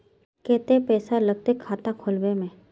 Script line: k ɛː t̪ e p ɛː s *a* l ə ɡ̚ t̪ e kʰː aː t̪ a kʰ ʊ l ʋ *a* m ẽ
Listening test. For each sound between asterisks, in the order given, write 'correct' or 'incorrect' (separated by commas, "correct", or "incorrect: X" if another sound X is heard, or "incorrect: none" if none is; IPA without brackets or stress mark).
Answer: correct, incorrect: e